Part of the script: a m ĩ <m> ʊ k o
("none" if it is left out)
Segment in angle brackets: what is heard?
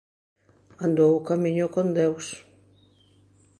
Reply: ɲ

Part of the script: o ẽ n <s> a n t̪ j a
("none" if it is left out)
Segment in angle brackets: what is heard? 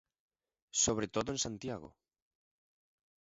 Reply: s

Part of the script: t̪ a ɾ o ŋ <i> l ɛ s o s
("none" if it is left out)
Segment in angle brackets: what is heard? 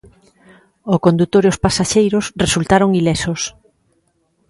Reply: i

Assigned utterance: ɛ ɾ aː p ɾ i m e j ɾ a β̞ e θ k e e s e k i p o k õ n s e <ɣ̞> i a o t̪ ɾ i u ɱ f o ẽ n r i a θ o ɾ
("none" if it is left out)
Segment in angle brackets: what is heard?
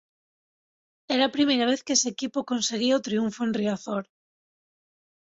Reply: ɣ̞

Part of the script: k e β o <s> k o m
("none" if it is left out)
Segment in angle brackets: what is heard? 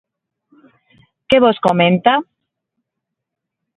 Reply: s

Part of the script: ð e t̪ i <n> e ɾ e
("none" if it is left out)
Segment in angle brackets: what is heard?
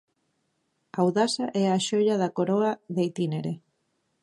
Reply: n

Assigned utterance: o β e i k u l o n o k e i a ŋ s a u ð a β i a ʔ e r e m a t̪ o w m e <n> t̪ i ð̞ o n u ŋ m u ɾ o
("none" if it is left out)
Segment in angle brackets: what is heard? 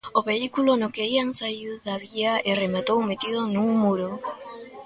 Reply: none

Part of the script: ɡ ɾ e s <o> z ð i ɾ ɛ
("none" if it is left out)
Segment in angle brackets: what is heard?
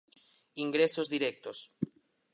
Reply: o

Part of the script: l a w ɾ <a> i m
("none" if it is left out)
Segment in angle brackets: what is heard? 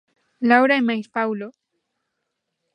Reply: a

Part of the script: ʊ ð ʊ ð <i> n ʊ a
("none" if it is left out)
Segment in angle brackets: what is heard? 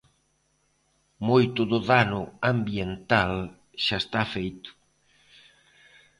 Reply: a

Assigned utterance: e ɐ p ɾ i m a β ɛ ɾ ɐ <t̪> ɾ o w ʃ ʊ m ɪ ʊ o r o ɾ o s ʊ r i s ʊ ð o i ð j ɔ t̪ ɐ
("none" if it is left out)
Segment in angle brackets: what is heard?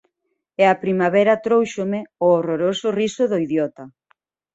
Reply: t̪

